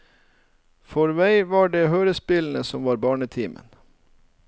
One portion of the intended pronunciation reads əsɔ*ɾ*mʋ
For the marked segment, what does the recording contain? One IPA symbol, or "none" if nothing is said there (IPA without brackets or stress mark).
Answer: none